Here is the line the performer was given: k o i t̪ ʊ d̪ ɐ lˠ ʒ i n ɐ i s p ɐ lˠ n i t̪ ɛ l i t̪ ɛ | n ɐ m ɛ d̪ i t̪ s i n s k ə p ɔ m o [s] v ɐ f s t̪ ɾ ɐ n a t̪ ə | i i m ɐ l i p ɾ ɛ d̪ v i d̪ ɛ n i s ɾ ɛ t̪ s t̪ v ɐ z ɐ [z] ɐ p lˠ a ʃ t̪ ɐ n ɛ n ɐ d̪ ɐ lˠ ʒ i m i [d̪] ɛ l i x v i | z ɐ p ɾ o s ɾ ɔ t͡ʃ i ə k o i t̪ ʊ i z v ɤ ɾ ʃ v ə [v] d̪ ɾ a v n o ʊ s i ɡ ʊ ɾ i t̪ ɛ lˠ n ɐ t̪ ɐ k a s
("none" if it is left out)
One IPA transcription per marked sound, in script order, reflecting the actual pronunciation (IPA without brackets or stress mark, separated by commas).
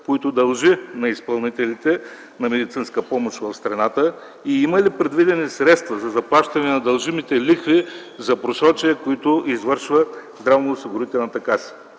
ʃ, z, t̪, z